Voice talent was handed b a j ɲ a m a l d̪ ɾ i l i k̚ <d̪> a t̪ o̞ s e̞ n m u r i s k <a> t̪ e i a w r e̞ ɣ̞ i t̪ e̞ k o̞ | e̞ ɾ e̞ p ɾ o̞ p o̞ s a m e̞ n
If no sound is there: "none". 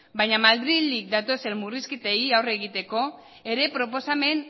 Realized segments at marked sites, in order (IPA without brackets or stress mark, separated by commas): d̪, i